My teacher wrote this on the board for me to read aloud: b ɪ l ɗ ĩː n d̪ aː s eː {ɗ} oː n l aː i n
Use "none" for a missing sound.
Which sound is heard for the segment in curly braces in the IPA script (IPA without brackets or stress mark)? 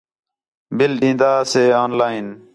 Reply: none